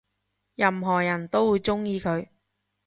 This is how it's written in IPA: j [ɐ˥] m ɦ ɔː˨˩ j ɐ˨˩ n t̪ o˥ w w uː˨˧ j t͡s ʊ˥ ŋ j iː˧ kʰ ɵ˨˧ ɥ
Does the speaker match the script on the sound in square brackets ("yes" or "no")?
no